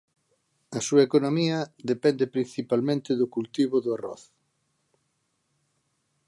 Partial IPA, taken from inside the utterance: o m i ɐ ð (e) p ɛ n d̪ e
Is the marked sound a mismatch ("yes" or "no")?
no